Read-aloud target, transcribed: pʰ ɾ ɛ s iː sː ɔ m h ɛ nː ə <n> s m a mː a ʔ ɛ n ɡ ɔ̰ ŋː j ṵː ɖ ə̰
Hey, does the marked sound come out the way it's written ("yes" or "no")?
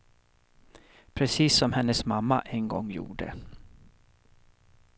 no